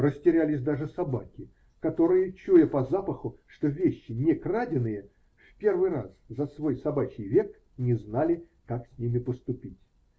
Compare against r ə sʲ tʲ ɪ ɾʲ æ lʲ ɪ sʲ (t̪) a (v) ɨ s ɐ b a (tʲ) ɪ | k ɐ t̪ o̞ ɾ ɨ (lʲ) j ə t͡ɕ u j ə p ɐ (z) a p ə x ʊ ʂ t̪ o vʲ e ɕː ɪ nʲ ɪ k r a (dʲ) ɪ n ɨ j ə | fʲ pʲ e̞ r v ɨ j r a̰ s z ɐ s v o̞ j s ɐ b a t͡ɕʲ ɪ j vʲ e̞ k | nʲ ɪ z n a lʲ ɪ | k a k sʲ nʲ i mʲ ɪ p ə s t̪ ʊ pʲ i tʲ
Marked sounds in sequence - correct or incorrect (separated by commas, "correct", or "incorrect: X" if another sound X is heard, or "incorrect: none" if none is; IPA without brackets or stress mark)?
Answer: incorrect: d̪, incorrect: ʐ, incorrect: kʲ, incorrect: none, correct, correct